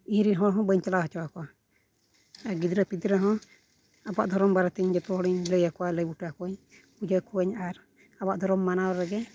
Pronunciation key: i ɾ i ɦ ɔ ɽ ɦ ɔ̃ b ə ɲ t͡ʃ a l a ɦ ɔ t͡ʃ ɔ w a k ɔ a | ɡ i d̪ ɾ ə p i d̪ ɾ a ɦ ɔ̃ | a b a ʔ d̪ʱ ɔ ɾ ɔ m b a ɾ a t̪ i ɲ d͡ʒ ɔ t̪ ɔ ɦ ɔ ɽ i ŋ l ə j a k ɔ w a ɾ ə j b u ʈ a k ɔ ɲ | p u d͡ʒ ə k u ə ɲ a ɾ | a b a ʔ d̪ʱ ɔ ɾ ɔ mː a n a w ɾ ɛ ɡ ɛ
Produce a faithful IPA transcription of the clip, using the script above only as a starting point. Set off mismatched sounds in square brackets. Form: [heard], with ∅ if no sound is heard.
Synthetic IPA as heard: i ɾ i ɦ ɔ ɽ ɦ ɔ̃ b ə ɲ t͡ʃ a l a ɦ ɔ t͡ʃ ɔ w a k ɔ a | ɡ i d̪ ɾ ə p i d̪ ɾ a ɦ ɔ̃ | a b a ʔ d̪ʱ ɔ ɾ ɔ m b a ɾ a t̪ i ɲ d͡ʒ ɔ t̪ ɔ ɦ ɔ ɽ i [ɲ] l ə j a k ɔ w a [l] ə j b u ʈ a k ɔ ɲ | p u d͡ʒ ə k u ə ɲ a ɾ | a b a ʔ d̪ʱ ɔ ɾ ɔ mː a n a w ɾ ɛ ɡ ɛ